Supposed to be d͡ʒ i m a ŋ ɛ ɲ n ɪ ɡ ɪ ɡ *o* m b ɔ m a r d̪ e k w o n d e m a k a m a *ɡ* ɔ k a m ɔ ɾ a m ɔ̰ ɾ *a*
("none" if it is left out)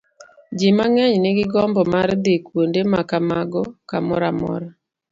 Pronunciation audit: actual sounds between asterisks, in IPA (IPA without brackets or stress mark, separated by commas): ɔ, ɡ, a